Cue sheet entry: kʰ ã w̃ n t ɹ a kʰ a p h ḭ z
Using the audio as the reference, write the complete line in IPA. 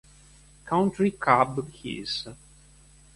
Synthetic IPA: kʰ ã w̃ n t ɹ i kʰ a b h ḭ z